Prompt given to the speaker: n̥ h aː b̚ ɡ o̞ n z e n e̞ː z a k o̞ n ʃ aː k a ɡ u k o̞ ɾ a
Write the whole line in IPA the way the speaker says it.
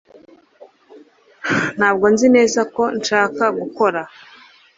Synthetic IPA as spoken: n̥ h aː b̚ ɡ o̞ n z i n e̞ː z a k o̞ n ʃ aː k a ɡ u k o̞ ɾ a